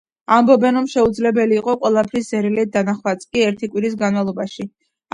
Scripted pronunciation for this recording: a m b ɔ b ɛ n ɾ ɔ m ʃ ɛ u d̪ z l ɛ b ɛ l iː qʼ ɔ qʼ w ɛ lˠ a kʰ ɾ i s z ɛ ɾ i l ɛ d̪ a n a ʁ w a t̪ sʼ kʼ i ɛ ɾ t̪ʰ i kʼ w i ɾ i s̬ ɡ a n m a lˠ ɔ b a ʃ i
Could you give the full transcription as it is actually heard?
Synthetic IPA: a m b ɔ b ɛ n ɾ ɔ m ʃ ɛ u d̪ z l ɛ b ɛ l iː qʼ ɔ qʼ w ɛ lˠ a pʰ ɾ i s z ɛ ɾ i l ɛ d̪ a n a χ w a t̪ sʼ kʼ i ɛ ɾ t̪ʰ i kʼ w i ɾ i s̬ ɡ a n m a lˠ ɔ b a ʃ i